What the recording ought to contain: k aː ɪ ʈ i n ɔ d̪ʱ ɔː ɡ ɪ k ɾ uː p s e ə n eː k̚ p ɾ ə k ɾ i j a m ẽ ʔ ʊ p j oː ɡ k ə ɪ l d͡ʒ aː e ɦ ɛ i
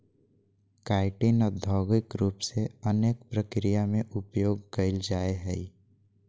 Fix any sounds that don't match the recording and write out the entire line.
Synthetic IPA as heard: k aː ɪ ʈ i n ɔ d̪ʱ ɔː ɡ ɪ k ɾ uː p s e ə n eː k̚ p ɾ ə k ɾ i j a m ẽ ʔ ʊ p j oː ɡ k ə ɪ l d͡ʒ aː e ɦ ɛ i